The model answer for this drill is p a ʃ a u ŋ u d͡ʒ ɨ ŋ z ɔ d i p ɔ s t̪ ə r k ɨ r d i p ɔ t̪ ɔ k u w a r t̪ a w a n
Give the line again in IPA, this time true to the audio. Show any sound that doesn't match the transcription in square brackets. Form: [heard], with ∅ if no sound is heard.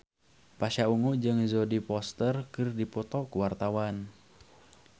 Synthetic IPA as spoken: p a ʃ a u ŋ u d͡ʒ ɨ ŋ z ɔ d i p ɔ s t̪ ə r k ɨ r d i p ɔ t̪ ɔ k u w a r t̪ a w a n